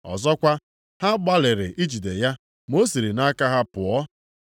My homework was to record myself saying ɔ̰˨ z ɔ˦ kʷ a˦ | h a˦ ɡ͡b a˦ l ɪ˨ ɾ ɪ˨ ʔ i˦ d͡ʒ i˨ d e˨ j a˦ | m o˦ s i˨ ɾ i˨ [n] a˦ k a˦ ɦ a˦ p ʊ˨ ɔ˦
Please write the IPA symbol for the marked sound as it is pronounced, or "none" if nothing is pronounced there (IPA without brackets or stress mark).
n